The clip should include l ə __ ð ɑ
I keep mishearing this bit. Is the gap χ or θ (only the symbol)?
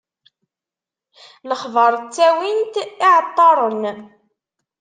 χ